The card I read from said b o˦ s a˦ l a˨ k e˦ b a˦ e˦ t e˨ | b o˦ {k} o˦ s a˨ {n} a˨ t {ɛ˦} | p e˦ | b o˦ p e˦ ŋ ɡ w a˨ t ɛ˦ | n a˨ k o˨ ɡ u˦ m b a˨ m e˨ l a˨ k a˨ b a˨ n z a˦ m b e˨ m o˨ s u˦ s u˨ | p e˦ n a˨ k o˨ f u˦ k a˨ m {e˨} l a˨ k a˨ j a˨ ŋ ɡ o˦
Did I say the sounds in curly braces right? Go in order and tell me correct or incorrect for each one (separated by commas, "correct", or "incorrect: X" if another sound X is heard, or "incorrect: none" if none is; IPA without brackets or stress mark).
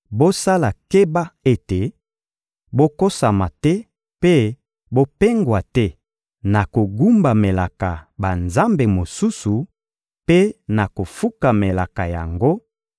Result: correct, incorrect: m, correct, correct